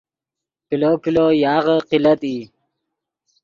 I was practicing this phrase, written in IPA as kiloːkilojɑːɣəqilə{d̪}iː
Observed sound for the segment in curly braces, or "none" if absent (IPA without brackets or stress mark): t̪